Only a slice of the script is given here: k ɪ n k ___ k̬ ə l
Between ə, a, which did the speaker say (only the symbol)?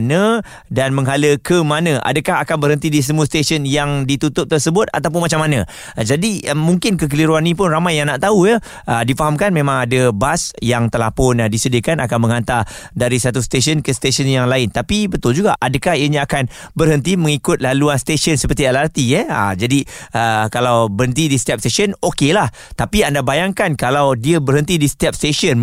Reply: ə